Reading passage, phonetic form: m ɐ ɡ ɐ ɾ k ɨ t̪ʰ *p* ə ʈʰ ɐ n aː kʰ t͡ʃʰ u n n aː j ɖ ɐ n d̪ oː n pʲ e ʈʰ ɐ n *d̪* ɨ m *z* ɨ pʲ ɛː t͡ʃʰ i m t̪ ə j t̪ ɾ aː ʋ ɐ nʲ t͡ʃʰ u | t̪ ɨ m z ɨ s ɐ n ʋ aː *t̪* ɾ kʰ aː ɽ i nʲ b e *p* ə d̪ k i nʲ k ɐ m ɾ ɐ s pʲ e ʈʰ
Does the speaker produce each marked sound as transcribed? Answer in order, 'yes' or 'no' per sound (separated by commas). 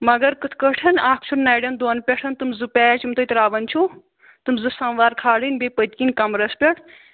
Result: no, no, yes, no, yes